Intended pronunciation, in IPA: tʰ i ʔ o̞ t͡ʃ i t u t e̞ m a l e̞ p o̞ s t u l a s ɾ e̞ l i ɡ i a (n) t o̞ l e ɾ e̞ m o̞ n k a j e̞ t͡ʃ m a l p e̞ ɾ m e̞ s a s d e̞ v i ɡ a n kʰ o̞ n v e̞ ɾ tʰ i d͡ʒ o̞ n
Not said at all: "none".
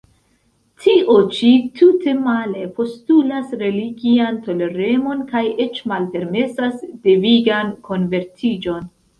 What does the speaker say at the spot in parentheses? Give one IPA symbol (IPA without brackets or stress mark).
n